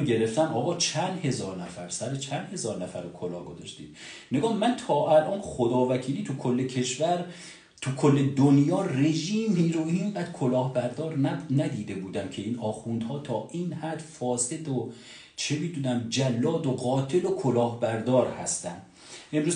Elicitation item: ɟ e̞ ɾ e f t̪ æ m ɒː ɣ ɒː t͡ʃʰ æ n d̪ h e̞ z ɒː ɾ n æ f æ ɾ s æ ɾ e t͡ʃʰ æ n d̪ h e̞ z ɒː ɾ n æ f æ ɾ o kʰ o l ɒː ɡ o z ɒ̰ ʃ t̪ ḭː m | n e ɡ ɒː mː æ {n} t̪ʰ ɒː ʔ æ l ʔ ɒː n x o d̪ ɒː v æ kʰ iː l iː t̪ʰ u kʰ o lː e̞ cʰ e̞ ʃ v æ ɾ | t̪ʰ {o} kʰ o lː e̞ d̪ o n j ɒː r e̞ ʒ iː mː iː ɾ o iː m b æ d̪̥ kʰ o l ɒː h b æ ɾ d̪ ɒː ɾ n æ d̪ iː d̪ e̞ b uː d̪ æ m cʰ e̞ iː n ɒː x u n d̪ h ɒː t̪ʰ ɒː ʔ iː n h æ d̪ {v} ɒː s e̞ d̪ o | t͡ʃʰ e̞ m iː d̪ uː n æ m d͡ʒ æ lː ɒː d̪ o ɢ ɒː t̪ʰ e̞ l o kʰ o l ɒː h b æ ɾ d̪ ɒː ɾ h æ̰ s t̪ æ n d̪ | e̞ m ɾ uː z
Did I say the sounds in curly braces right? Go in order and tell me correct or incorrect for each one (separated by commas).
correct, incorrect, incorrect